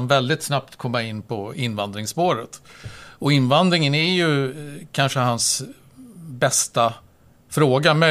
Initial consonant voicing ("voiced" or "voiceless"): voiced